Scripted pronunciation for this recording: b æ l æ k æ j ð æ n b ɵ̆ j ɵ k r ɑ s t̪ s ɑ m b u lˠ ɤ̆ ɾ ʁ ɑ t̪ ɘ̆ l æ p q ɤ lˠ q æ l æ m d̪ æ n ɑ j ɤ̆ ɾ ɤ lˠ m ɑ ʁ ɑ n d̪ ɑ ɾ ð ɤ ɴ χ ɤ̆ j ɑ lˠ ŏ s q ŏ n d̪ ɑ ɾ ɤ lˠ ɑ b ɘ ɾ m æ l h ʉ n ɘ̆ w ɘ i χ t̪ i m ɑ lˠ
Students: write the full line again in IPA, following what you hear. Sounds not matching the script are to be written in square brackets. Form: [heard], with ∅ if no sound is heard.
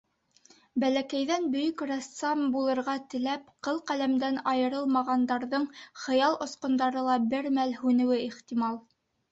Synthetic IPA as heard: b æ l æ k æ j ð æ n b ɵ̆ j ɵ k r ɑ s t̪ s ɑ m b u lˠ ɤ̆ ɾ ʁ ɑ t̪ ɘ̆ l æ p q ɤ lˠ q æ l æ m d̪ æ n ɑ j ɤ̆ ɾ ɤ lˠ m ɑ ʁ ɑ n d̪ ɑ ɾ ð ɤ ɴ χ ɤ̆ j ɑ lˠ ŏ s q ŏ n d̪ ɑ ɾ ɤ lˠ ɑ b ɘ ɾ m æ l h ʉ n ɘ̆ w ɘ i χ t̪ i m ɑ lˠ